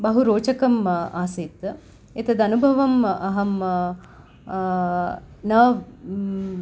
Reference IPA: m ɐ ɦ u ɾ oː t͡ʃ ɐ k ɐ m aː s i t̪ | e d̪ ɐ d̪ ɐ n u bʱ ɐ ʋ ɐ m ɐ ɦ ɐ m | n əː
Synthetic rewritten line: b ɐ ɦ u ɾ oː t͡ʃ ɐ k ɐ m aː s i t̪ | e t̪ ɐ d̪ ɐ n u bʱ ɐ ʋ ɐ m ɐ ɦ ɐ m | n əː